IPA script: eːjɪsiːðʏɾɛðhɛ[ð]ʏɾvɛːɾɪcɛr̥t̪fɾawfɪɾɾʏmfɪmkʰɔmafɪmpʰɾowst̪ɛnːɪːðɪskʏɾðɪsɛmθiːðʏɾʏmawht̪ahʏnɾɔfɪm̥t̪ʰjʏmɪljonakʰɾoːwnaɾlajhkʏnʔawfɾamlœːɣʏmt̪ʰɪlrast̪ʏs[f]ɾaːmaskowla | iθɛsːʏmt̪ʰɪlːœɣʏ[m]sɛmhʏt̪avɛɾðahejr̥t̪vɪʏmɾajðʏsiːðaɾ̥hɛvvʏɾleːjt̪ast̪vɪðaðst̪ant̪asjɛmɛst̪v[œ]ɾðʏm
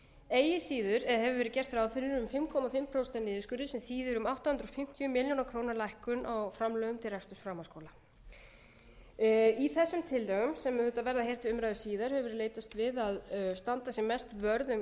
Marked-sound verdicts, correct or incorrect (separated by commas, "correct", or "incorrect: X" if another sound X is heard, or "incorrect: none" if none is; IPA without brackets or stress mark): incorrect: v, correct, correct, correct